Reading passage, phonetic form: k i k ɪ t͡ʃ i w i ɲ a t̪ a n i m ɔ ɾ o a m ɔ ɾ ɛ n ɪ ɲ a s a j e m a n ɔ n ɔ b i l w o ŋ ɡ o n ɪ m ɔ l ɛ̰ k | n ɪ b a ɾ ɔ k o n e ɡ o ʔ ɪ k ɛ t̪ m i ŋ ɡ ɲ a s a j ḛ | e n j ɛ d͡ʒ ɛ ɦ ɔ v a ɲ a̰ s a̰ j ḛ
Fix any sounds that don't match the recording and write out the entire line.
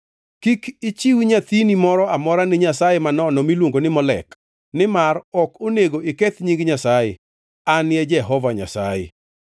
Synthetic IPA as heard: k i k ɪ t͡ʃ i w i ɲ a t̪ i n i m ɔ ɾ ɔ a m ɔ ɾ a n ɪ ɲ a s a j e m a n ɔ n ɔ m i l w o ŋ ɡ o n ɪ m ɔ l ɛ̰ k | n ɪ m a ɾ ɔ k o n e ɡ o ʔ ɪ k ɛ t̪ ɲ i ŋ ɡ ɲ a s a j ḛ | a n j ɛ d͡ʒ ɛ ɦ ɔ v a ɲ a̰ s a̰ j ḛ